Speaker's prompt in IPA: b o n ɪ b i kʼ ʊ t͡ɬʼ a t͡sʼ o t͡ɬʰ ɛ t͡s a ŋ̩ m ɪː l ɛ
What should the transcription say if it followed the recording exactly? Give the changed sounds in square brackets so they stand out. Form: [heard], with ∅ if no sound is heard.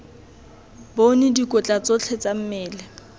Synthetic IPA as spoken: b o n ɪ [d] i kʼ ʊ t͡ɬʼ a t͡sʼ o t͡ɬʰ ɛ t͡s a [m̩] m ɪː l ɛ